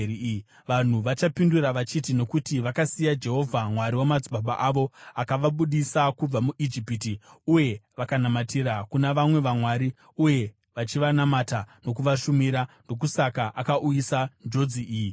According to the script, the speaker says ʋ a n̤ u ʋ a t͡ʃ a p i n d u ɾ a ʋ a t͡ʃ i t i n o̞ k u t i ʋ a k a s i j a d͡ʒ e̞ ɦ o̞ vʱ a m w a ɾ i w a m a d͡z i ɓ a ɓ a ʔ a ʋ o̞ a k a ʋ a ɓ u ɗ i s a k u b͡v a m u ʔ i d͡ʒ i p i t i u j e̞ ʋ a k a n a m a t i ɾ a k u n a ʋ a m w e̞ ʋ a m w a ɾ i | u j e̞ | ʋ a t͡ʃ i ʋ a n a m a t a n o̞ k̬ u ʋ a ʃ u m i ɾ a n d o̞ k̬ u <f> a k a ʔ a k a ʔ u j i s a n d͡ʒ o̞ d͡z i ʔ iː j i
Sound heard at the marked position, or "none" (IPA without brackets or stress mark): s